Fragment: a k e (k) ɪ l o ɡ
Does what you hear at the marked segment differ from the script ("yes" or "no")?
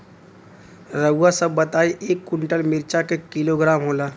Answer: no